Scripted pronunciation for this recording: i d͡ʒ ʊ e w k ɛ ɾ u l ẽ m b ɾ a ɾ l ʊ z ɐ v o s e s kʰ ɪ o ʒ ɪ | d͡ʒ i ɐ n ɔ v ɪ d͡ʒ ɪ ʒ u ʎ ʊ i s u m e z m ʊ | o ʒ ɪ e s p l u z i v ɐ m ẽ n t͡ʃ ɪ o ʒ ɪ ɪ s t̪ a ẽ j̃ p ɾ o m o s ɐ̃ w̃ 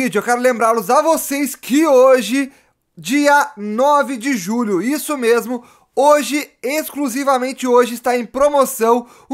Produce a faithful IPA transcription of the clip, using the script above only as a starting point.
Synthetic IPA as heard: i d͡ʒ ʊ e w k ɛ ɾ ʊ l ẽ m b ɾ a ɾ l ʊ z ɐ v o s e s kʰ ɪ o ʒ ɪ | d͡ʒ i ɐ n ɔ v ɪ d͡ʒ ɪ ʒ u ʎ ʊ i s ʊ m e z m ʊ | o ʒ ɪ e s k l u z i v ɐ m ẽ n t͡ʃ ɪ o ʒ ɪ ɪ s t̪ a ẽ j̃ p ɾ o m o s ɐ̃ w̃

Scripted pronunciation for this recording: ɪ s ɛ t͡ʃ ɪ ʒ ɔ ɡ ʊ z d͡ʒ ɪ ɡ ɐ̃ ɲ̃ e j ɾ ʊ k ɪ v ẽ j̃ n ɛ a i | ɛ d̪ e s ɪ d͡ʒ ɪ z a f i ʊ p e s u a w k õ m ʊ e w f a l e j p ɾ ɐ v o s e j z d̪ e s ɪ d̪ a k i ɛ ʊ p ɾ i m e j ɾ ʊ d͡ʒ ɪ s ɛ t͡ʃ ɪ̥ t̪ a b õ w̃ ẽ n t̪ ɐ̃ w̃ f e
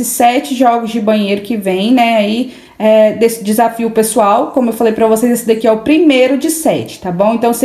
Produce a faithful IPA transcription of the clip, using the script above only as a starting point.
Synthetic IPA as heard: ɪ s ɛ t͡ʃ ɪ ʒ ɔ ɡ ʊ z d͡ʒ ɪ b ɐ̃ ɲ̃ e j ɾ ʊ k ɪ v ẽ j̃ n ɛ a i | ɛ d̪ e s ɪ d͡ʒ ɪ z a f i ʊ p e s u a w k õ m ʊ e w f a l e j p ɾ ɐ v o s e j z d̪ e s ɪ d̪ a k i ɛ ʊ p ɾ i m e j ɾ ʊ d͡ʒ ɪ s ɛ t͡ʃ ɪ̥ t̪ a b õ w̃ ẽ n t̪ ɐ̃ w̃ s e

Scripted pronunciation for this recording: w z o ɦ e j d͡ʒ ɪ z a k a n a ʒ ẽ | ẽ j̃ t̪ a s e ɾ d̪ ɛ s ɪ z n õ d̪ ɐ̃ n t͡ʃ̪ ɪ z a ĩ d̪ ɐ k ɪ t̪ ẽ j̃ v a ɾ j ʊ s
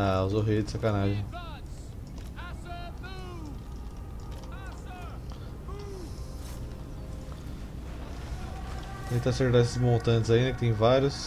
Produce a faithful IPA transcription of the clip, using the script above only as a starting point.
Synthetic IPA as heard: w z o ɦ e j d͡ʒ ɪ s a k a n a ʒ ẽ | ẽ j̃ t̪ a s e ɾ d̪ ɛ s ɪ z m õ t̪ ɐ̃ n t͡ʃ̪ ɪ z a ĩ d̪ ɐ k ɪ t̪ ẽ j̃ v a ɾ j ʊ s

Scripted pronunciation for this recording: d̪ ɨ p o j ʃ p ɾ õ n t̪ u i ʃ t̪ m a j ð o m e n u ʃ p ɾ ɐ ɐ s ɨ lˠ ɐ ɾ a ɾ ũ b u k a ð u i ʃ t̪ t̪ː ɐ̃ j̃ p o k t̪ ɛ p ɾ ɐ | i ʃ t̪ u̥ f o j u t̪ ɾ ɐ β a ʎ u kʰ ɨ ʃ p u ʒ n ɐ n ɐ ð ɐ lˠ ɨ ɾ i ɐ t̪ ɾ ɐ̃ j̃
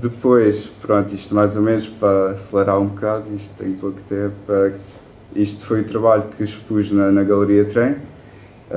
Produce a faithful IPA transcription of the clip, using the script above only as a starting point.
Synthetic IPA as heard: d̪ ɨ p o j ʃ p ɾ õ n t̪ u i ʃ t̪ m a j z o m e n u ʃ p ɾ ɐ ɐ s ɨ lˠ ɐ ɾ a ɾ ũ b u k a ð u i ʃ t̪ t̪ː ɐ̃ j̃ p o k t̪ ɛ p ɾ ɐ | i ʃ t̪ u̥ f o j u t̪ ɾ ɐ β a ʎ u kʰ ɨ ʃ p u ʒ n ɐ n ɐ ɣ ɐ lˠ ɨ ɾ i ɐ t̪ ɾ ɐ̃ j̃

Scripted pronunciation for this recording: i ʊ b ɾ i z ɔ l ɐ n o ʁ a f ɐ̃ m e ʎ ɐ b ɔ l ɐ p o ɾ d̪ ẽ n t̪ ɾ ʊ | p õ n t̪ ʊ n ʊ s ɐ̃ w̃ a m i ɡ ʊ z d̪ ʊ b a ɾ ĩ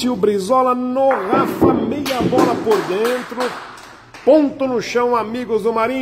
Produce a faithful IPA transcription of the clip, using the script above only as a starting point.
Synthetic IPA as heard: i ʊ b ɾ i z ɔ l ɐ n o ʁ a f ɐ m e j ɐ b ɔ l ɐ p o ɾ d̪ ẽ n t̪ ɾ ʊ | p õ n t̪ ʊ n ʊ ʃ ɐ̃ w̃ a m i ɡ ʊ z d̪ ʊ m a ɾ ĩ

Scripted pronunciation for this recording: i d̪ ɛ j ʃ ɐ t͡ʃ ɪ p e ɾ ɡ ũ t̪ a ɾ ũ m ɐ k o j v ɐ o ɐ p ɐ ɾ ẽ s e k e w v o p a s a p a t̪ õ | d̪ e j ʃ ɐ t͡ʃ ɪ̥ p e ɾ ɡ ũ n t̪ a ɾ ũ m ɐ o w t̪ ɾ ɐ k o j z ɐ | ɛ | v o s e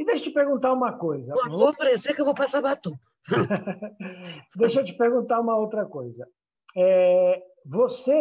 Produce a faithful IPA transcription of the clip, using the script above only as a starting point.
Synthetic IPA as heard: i d̪ e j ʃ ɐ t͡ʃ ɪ p e ɾ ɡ ũ t̪ a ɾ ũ m ɐ k o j z ɐ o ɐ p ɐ ɾ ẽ s e k e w v o p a s a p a t̪ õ | d̪ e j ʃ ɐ t͡ʃ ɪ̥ p e ɾ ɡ ũ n t̪ a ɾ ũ m ɐ o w t̪ ɾ ɐ k o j z ɐ | ɛ | v o s e

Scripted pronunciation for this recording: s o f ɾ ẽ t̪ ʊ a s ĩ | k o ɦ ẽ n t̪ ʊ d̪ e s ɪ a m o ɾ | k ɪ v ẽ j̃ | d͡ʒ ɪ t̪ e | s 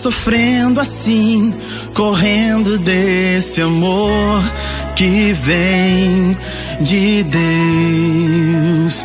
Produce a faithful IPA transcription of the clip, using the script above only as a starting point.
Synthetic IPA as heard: s o f ɾ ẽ d̪ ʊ a s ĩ | k o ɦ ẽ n d̪ ʊ d̪ e s ɪ a m o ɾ | k ɪ v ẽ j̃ | d͡ʒ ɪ d̪ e | s

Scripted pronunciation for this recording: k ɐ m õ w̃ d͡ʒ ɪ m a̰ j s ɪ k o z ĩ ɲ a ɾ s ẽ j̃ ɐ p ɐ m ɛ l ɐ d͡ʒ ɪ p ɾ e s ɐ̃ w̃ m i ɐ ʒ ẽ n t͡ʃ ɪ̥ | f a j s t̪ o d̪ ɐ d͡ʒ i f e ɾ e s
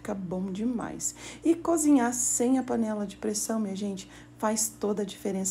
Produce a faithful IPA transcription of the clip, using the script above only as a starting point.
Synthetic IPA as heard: k ɐ b õ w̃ d͡ʒ ɪ m a̰ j s ɪ k o z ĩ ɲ a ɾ s ẽ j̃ ɐ p ɐ n ɛ l ɐ d͡ʒ ɪ p ɾ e s ɐ̃ w̃ m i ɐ ʒ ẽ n t͡ʃ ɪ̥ | f a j s t̪ o d̪ ɐ d͡ʒ i f e ɾ ẽ s

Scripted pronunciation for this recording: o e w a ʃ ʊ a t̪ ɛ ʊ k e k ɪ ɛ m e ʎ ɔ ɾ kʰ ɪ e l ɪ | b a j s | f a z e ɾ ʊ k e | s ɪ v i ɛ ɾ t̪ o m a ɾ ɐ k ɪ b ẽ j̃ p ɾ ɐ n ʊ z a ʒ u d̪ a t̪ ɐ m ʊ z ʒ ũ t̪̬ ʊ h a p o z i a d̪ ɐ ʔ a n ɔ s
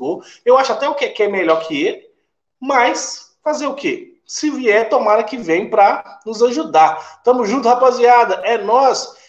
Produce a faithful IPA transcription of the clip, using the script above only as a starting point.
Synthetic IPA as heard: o e w a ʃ ʊ a t̪ ɛ ʊ k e k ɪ ɛ m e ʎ ɔ ɾ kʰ ɪ e l ɪ | m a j s | f a z e ɾ ʊ k e | s ɪ v i ɛ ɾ t̪ o m a ɾ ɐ k ɪ v ẽ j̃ p ɾ ɐ n ʊ z a ʒ u d̪ a t̪ ɐ̃ m ʊ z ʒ ũ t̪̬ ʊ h a p o z i a d̪ ɐ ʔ ɛ n ɔ s

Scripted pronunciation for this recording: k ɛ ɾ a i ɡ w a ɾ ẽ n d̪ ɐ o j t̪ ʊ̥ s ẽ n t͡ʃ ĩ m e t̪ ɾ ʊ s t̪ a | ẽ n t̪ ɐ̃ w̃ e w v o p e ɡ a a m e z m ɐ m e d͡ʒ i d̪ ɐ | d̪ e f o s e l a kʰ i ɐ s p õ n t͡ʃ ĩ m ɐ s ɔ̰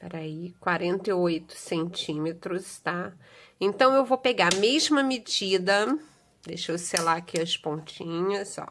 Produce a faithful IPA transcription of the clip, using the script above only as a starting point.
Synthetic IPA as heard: p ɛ ɾ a i k w a ɾ ẽ n t̪ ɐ o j t̪ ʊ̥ s ẽ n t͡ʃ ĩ m e t̪ ɾ ʊ s t̪ a | ẽ n t̪ ɐ̃ w̃ e w v o p e ɡ a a m e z m ɐ m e d͡ʒ i d̪ ɐ | d̪ e ʃ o s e l a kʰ i ɐ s p õ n t͡ʃ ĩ ɲ ɐ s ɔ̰

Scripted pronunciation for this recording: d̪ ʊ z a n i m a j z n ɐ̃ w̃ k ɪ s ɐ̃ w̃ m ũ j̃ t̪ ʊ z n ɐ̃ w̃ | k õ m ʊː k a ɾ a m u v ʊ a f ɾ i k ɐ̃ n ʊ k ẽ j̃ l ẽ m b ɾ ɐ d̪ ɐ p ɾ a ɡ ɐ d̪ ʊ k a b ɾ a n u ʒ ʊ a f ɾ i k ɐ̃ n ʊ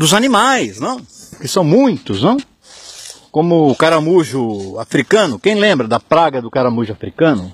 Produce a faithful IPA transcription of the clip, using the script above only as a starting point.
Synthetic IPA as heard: d̪ ʊ z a n i m a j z n ɐ̃ w̃ k ɪ s ɐ̃ w̃ m ũ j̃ t̪ ʊ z n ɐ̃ w̃ | k õ m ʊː k a ɾ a m u ʒ ʊ a f ɾ i k ɐ̃ n ʊ k ẽ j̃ l ẽ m b ɾ ɐ d̪ ɐ p ɾ a ɡ ɐ d̪ ʊ k a ɾ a m u ʒ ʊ a f ɾ i k ɐ̃ n ʊ

